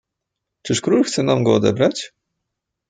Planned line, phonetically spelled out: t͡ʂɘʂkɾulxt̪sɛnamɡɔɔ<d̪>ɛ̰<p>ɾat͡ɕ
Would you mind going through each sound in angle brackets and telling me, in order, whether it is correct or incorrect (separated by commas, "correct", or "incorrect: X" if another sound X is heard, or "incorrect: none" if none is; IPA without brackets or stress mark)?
correct, incorrect: b